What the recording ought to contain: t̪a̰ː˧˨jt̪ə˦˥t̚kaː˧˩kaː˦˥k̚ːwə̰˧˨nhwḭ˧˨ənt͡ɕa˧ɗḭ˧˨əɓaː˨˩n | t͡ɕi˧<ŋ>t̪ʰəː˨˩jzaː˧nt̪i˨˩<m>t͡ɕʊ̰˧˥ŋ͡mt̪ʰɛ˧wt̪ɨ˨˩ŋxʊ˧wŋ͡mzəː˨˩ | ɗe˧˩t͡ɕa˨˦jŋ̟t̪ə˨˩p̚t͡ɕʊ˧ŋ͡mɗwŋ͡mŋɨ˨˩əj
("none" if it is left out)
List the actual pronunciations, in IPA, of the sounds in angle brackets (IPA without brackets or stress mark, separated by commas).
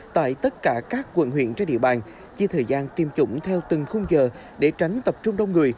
none, m